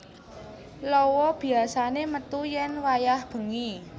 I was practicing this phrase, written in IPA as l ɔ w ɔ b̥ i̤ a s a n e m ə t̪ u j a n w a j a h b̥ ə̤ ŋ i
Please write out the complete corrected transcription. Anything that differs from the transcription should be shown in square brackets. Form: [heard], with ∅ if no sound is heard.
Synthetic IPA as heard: l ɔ w ɔ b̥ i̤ a s a n e m ə t̪ u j [ɛ] n w a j a h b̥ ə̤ ŋ i